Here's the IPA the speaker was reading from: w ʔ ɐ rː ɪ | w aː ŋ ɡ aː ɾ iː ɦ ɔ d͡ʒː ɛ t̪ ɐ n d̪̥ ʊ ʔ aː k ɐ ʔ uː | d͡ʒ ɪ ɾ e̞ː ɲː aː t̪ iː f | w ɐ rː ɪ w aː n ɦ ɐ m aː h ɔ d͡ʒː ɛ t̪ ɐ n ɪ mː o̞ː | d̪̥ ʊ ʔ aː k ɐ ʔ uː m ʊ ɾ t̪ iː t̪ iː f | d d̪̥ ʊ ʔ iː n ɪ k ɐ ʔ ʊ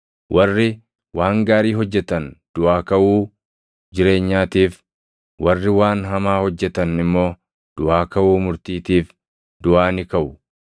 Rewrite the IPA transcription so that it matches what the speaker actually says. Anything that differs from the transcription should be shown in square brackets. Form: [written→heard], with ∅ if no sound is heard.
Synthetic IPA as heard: w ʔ ɐ rː ɪ | w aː ŋ ɡ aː ɾ iː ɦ ɔ d͡ʒː ɛ t̪ ɐ n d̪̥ ʊ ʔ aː k ɐ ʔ uː | d͡ʒ ɪ ɾ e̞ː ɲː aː t̪ iː f | w ɐ rː ɪ w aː n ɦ ɐ m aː h ɔ d͡ʒː ɛ t̪ ɐ n ɪ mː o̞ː | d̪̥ ʊ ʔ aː k ɐ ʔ uː m ʊ ɾ t̪ iː t̪ iː f | d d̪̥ ʊ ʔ [iː→aː] n ɪ k ɐ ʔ ʊ